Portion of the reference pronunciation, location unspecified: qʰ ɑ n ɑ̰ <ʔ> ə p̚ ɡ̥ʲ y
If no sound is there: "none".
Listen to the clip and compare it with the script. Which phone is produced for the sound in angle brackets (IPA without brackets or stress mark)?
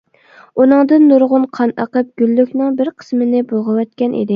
q